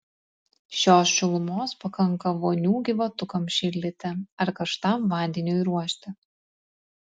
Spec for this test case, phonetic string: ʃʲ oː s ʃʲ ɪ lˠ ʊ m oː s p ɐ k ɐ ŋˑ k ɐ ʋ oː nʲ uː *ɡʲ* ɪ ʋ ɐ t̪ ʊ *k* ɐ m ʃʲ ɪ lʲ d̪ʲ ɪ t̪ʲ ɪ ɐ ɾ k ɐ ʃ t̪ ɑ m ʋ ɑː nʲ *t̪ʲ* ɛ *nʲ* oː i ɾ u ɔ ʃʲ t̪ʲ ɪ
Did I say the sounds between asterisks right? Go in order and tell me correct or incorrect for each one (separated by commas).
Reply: correct, correct, incorrect, correct